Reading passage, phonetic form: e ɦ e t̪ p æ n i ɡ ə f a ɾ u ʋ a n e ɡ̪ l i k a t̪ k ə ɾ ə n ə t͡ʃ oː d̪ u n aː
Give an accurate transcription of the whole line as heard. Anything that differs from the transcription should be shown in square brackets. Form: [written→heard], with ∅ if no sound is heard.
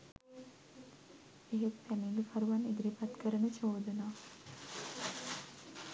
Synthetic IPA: e ɦ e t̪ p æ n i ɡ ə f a ɾ u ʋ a n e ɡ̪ [l→ɾ] i [k→p] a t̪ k ə ɾ ə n ə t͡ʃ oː d̪ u n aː